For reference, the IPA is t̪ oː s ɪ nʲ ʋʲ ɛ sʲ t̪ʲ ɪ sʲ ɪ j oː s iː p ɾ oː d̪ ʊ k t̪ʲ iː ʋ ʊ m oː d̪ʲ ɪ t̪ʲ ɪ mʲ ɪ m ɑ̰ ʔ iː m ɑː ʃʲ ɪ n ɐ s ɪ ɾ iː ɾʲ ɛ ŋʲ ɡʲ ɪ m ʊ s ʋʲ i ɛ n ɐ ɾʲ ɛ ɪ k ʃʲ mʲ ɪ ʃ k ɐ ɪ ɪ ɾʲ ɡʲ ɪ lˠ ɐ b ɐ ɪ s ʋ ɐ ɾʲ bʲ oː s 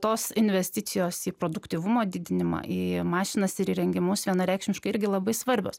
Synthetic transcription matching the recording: t̪ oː s ɪ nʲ ʋʲ ɛ sʲ t̪ʲ ɪ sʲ ɪ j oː s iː p ɾ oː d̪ ʊ k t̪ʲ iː ʋ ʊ m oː d̪ʲ ɪ d̪ʲ ɪ nʲ ɪ m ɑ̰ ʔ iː m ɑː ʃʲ ɪ n ɐ s ɪ ɾ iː ɾʲ ɛ ŋʲ ɡʲ ɪ m ʊ s ʋʲ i ɛ n ɐ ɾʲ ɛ ɪ k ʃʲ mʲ ɪ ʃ k ɐ ɪ ɪ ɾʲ ɡʲ ɪ lˠ ɐ b ɐ ɪ s ʋ ɐ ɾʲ bʲ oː s